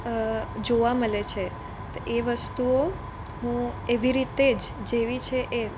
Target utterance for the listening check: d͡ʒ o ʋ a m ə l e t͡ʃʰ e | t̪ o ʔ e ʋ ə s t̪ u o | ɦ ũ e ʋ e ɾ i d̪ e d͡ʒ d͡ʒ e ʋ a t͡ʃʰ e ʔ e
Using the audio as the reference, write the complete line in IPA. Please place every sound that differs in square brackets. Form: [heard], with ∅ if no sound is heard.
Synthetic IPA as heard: d͡ʒ o ʋ a m ə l e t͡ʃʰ e | t̪ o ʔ e ʋ ə s t̪ u o | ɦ ũ e ʋ [i] ɾ i [t̪] e d͡ʒ d͡ʒ e ʋ [i] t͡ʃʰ e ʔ e